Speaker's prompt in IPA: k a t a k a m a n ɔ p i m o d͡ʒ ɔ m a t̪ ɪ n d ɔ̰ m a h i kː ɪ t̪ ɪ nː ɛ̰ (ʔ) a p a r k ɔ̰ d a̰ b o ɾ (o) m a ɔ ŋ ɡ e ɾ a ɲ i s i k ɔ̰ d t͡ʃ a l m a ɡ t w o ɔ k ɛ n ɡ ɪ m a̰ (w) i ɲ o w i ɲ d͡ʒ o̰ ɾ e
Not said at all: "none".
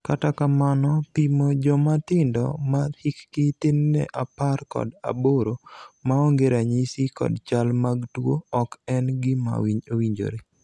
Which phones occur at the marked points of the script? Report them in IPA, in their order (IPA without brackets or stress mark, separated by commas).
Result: ʔ, o, w